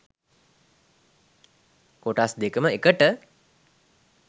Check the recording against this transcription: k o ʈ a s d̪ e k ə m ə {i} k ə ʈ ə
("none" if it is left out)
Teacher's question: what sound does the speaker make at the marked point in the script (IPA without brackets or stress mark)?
e